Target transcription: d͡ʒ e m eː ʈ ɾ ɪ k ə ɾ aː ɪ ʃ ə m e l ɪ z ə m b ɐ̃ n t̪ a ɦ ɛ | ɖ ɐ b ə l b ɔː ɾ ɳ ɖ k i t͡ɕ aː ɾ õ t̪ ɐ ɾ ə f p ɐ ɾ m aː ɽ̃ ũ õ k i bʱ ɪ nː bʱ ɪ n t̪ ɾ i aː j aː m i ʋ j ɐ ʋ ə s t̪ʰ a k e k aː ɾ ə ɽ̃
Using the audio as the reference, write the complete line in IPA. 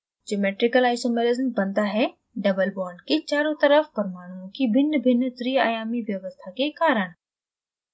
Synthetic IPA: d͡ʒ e m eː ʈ ɾ ɪ k ə l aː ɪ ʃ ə m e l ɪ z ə m b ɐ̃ n d̪ a ɦ ɛ | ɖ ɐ b ə l b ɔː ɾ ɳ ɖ k i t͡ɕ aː ɾ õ t̪ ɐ ɾ ə f p ɐ ɾ m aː ɽ̃ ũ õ k i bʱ ɪ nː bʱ ɪ n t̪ ɾ i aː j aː m i ʋ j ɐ ʋ ə s t̪ʰ a k e k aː ɾ ə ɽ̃